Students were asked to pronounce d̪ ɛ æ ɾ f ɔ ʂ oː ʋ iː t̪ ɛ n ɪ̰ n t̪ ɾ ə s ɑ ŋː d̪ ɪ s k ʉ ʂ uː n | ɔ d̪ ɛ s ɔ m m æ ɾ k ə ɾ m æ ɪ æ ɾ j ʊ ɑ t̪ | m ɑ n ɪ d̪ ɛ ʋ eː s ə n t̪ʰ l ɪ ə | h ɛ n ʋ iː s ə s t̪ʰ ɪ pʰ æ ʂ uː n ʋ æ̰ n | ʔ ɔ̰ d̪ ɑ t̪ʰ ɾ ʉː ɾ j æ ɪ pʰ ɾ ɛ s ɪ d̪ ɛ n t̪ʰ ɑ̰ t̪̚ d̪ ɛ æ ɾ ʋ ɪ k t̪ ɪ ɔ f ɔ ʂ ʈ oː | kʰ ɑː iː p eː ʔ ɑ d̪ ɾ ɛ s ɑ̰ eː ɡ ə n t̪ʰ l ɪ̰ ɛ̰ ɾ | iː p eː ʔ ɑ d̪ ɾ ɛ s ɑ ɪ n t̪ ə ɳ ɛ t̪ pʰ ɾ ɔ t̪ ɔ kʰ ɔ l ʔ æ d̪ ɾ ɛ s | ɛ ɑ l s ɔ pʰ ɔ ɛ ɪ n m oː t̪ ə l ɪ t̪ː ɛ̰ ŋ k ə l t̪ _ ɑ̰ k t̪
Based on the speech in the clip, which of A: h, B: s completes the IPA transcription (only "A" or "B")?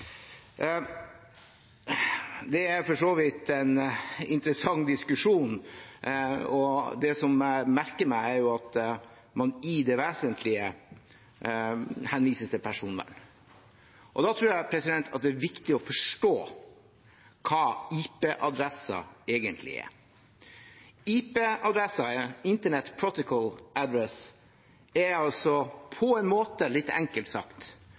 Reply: B